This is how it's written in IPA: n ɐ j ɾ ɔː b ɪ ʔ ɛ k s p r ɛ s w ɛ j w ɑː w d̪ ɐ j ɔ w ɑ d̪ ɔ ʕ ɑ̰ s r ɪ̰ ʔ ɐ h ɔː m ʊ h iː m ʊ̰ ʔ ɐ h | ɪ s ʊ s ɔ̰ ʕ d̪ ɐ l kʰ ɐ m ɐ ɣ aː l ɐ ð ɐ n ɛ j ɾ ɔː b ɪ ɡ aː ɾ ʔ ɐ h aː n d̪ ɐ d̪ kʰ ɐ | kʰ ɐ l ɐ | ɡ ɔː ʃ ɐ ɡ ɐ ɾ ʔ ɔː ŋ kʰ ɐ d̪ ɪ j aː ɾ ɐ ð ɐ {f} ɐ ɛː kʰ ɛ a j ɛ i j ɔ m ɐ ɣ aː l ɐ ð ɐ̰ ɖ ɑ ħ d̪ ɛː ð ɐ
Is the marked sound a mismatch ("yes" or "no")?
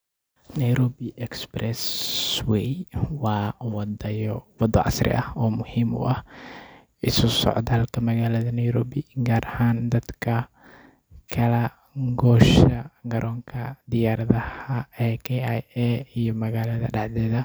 yes